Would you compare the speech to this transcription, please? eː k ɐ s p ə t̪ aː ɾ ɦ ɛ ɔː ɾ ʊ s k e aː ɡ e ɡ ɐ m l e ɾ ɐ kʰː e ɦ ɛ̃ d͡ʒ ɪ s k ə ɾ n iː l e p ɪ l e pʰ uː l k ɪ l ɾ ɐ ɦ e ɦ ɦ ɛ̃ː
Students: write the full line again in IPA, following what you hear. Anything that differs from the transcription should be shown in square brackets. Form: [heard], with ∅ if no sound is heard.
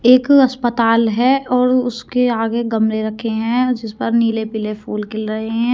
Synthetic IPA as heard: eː k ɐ s p ə t̪ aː [l] ɦ ɛ ɔː ɾ ʊ s k e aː ɡ e ɡ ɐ m [ɾ] e ɾ ɐ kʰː e ɦ ɛ̃ d͡ʒ ɪ s [p] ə ɾ n iː l e p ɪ l e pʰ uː l k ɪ l ɾ ɐ ɦ e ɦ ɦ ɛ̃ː